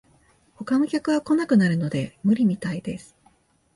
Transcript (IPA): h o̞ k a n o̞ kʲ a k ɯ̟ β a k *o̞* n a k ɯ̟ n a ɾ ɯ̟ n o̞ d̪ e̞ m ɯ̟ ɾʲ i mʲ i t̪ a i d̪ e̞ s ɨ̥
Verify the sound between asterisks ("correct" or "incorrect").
correct